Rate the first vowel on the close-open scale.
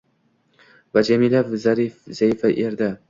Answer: open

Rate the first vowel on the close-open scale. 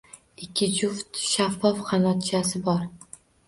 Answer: close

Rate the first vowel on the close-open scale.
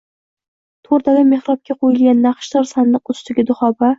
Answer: mid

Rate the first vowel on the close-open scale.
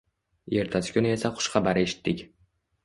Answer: mid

